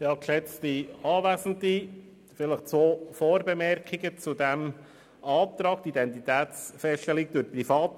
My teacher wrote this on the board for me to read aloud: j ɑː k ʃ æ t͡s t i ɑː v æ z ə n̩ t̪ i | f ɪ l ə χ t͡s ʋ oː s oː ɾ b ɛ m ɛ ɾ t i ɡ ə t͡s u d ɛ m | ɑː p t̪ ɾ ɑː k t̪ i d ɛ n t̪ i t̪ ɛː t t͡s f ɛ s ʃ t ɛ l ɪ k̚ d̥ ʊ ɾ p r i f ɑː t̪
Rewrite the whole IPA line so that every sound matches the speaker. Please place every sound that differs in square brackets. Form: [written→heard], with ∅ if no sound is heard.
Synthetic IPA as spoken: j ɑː k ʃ [æ→ɛ] t͡s t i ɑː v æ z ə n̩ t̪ i | f ɪ l ə χ t͡s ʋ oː [s→f] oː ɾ b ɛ m ɛ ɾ [t→k] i ɡ ə t͡s u d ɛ m | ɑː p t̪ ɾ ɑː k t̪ i d ɛ n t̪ i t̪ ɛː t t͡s f ɛ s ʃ t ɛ l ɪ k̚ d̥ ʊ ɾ p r i f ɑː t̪